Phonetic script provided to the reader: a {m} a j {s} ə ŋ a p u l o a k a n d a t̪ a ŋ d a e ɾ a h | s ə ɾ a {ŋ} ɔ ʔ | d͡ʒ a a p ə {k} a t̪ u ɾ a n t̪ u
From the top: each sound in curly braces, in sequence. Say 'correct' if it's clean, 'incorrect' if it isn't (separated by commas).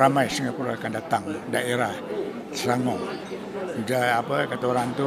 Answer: correct, correct, correct, correct